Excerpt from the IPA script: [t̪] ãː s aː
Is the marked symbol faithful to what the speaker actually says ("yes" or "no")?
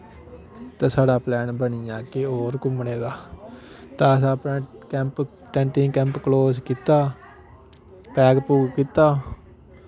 yes